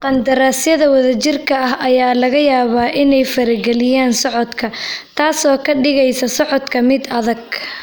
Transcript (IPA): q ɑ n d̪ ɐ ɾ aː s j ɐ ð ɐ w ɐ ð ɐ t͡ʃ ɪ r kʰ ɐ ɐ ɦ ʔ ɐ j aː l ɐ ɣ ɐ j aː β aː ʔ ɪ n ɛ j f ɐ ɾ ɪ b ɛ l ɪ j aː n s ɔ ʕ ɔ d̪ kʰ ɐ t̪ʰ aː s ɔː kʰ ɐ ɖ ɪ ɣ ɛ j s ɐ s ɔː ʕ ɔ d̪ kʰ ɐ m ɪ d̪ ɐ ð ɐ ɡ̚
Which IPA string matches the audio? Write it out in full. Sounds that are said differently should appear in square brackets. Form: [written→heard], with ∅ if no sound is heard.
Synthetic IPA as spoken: q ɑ n d̪ ɐ ɾ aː s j ɐ ð ɐ w ɐ ð ɐ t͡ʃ ɪ r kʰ ɐ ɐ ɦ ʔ ɐ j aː l ɐ ɣ ɐ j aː β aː ʔ ɪ n ɛ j f ɐ ɾ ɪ [b→ɡ] ɛ l ɪ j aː n s ɔ ʕ ɔ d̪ kʰ ɐ t̪ʰ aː s ɔː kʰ ɐ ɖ ɪ ɣ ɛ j s ɐ s [ɔː→ɔ] ʕ ɔ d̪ kʰ ɐ m ɪ d̪ ɐ ð ɐ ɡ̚